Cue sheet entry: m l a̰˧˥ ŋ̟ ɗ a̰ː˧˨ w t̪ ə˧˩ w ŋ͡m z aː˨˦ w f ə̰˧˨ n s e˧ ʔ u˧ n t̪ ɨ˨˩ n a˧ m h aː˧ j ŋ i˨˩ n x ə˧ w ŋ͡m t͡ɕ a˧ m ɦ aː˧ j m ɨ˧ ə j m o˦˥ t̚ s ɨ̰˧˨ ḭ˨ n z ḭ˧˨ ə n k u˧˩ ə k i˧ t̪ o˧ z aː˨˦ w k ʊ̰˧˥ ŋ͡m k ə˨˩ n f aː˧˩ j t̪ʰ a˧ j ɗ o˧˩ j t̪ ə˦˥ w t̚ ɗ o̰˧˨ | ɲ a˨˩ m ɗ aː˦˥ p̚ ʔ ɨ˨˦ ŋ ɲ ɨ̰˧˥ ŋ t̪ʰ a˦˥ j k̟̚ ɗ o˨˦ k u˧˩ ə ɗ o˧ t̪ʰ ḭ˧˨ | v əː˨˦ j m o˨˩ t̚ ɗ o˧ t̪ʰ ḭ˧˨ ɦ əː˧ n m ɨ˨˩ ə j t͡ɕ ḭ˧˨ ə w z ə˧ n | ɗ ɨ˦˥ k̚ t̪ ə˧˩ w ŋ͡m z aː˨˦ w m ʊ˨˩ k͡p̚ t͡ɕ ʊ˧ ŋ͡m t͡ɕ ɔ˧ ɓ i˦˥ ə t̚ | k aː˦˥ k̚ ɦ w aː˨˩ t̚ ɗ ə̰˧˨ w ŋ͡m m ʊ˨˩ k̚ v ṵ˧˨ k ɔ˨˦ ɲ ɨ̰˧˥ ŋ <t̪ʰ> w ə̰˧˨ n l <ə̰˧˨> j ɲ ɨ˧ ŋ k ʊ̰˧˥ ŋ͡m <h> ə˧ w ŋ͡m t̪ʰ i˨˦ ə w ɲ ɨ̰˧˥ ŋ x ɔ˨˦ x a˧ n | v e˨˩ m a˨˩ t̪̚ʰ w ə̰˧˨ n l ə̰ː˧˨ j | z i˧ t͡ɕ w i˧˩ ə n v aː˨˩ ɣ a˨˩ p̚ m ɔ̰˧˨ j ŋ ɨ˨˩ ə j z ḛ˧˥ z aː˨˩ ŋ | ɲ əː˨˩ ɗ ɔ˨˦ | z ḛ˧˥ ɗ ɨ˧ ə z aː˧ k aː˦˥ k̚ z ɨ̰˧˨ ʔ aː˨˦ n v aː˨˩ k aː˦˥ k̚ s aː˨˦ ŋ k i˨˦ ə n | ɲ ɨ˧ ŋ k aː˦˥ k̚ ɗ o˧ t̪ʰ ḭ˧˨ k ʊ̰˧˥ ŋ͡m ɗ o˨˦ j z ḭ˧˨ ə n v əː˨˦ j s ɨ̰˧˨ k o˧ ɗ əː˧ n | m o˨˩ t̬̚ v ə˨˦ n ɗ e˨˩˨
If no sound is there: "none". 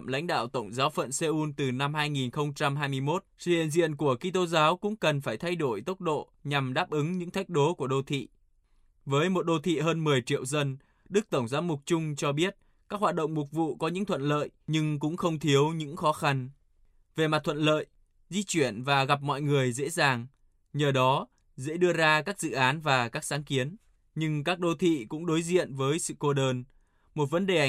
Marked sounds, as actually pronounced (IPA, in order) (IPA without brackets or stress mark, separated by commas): t̪ʰ, ə̰ː˧˨, x